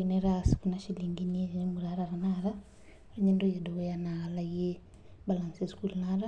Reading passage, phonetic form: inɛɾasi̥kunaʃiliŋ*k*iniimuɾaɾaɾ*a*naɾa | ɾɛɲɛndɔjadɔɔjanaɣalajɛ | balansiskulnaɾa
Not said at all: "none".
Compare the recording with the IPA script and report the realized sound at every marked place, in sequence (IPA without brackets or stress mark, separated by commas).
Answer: ɡ, a